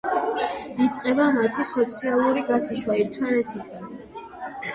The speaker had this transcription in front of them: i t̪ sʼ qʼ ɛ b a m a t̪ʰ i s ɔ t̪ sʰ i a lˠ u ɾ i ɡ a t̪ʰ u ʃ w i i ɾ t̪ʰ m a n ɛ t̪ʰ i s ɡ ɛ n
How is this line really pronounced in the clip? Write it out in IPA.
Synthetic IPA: i t̪ sʼ qʼ ɛ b a m a t̪ʰ i s ɔ t̪ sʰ i a lˠ u ɾ i ɡ a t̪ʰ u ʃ w a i ɾ t̪ʰ m a n ɛ t̪ʰ i s ɡ a n